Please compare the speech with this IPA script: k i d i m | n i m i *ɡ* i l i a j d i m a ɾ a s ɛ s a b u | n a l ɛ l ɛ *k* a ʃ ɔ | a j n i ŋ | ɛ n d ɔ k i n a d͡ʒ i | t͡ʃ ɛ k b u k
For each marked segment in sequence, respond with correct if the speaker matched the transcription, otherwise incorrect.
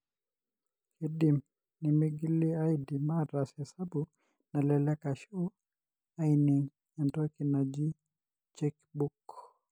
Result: correct, correct

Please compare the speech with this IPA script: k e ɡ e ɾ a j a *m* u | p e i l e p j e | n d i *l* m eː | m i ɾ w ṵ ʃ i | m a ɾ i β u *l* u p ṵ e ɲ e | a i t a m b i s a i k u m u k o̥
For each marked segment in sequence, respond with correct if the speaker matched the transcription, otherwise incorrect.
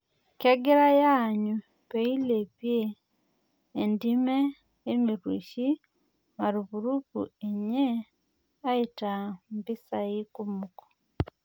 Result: incorrect, incorrect, incorrect

